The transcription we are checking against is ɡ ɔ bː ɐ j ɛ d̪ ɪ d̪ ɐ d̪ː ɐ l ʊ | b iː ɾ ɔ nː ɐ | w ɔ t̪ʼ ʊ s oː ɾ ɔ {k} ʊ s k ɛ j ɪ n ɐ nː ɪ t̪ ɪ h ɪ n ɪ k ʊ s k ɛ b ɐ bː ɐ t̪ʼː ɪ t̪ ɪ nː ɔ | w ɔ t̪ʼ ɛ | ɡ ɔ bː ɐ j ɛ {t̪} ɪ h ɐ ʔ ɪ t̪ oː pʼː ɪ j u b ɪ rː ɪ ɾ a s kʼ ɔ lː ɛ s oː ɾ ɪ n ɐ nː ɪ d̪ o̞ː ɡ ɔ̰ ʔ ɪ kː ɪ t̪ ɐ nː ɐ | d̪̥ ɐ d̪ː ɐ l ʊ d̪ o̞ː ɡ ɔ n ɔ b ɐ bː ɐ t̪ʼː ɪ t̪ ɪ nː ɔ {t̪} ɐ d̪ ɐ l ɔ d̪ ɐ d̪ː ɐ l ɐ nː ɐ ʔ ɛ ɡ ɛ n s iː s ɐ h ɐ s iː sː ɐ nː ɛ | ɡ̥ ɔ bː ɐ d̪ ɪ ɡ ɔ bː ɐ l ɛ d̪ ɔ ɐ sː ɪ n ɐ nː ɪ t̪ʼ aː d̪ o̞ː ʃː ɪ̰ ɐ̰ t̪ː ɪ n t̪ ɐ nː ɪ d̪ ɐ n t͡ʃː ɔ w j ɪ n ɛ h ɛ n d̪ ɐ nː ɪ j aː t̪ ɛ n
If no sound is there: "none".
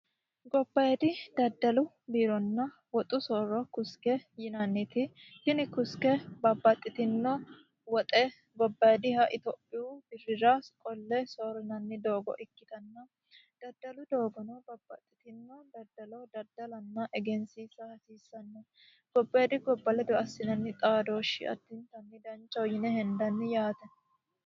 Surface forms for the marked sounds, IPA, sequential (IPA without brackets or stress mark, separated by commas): k, d̪, d̪